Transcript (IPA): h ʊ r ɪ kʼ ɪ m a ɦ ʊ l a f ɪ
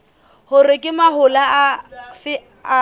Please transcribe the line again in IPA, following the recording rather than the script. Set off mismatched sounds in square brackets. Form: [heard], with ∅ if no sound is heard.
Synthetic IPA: h ʊ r ɪ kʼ ɪ m a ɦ ʊ l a f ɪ